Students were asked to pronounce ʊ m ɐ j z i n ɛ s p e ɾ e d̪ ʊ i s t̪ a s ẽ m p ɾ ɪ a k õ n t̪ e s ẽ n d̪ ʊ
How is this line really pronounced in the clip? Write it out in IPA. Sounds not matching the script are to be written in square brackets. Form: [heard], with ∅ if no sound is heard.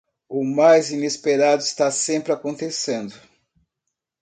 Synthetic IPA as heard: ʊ m [a] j z i n [e] s p e ɾ [a] d̪ ʊ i s t̪ a s ẽ m p ɾ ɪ a k õ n t̪ e s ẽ n d̪ ʊ